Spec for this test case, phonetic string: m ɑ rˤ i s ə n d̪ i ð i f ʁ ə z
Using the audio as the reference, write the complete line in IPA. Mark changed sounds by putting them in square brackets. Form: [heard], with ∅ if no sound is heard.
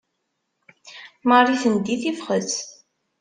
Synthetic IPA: m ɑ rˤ i [θ] ə n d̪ i [θ] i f [χ] ə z